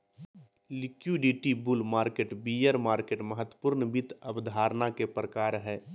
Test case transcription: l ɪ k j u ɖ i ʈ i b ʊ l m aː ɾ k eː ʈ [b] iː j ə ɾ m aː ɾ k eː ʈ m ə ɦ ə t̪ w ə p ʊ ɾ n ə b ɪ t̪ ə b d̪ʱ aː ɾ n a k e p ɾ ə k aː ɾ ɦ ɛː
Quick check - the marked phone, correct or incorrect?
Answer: correct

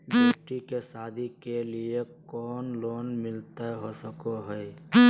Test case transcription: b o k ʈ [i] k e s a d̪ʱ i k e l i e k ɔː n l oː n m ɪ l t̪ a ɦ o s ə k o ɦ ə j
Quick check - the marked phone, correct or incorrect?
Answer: correct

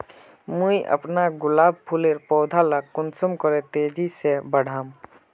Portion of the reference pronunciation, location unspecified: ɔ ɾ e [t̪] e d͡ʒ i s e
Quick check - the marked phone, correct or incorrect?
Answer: correct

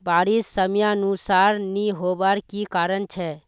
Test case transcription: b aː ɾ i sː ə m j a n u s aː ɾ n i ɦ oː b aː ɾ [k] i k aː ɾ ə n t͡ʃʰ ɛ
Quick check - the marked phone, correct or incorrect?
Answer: correct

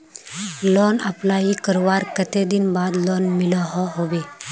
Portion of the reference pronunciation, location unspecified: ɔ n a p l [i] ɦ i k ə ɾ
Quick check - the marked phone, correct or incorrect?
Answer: incorrect: a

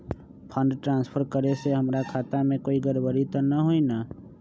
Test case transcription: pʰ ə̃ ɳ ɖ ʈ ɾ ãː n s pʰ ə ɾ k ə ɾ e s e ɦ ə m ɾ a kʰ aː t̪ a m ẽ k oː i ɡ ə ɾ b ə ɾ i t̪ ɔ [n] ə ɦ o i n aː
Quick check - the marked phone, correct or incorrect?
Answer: correct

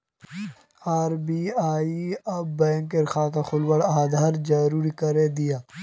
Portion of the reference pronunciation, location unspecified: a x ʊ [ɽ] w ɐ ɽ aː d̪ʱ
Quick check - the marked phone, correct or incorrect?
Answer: incorrect: l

